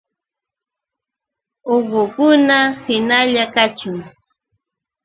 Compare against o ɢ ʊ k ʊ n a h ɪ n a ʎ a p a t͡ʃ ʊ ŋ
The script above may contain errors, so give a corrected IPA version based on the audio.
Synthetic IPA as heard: o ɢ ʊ k ʊ n a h ɪ n a ʎ a k a t͡ʃ ʊ ŋ